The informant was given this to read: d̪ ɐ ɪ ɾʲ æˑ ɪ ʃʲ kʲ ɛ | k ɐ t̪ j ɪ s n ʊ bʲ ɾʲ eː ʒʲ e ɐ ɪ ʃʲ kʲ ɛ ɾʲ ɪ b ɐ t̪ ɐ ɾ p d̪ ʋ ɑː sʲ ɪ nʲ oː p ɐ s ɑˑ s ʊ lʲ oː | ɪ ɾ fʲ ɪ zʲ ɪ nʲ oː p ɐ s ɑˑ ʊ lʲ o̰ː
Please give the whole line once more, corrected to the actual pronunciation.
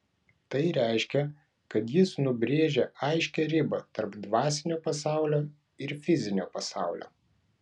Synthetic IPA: t̪ ɐ ɪ ɾʲ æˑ ɪ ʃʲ kʲ ɛ | k ɐ t̪ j ɪ s n ʊ bʲ ɾʲ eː ʒʲ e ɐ ɪ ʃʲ kʲ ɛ ɾʲ ɪ b ɐ t̪ ɐ ɾ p d̪ ʋ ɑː sʲ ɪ nʲ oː p ɐ s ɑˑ ʊ lʲ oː | ɪ ɾ fʲ ɪ zʲ ɪ nʲ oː p ɐ s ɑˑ ʊ lʲ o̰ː